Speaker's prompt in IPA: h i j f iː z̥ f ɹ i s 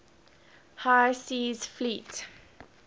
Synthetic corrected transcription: h a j s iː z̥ f l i t